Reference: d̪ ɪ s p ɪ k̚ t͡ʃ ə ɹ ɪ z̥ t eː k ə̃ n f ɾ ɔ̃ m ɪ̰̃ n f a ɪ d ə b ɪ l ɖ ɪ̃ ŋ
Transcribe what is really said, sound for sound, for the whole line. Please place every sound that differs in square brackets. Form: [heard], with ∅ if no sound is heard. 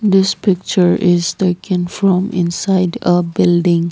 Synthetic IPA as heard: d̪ ɪ s p ɪ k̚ t͡ʃ ə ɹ ɪ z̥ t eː k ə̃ n f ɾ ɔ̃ m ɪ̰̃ n [s] a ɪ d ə b ɪ l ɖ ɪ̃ ŋ